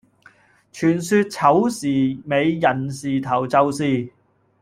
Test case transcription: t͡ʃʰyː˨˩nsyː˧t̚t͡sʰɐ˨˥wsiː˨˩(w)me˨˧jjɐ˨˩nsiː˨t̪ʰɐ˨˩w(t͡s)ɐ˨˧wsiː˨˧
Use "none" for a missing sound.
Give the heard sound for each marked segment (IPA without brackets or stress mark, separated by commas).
none, t͡s